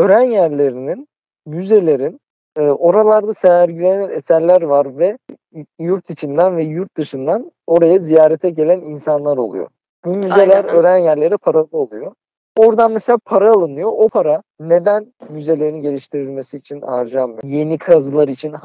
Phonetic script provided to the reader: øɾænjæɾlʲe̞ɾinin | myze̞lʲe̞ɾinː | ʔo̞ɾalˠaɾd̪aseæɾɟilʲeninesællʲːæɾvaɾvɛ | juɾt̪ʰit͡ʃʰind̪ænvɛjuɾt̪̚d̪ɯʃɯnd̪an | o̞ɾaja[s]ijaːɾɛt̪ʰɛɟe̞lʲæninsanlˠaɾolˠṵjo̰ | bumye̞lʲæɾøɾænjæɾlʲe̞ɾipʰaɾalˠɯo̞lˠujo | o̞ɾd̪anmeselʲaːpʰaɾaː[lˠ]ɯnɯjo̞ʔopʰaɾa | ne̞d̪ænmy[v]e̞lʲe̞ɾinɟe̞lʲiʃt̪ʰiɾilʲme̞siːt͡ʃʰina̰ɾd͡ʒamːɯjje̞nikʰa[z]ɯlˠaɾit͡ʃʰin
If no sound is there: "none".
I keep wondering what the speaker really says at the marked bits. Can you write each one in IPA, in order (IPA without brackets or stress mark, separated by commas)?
z, lˠ, z, z